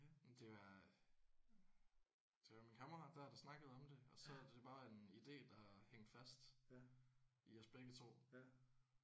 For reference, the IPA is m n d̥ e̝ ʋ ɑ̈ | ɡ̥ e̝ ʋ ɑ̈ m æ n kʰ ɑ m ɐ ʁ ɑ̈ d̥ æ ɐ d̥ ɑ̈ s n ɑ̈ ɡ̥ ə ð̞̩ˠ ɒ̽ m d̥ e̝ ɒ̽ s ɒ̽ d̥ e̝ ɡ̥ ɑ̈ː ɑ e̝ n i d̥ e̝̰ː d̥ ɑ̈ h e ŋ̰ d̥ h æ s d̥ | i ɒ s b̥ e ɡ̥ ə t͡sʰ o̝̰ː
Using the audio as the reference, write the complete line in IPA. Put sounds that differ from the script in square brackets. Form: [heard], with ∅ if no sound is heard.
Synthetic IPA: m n d̥ e̝ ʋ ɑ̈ | [d̥] e̝ ʋ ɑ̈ m [i] n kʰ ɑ m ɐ ʁ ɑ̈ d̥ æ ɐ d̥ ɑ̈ s n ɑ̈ ɡ̥ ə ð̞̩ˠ ɒ̽ m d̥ e̝ ɒ̽ s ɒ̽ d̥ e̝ [b̥] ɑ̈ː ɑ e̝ n i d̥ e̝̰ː d̥ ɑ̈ h e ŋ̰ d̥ [f] æ s d̥ | i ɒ s b̥ e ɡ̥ ə t͡sʰ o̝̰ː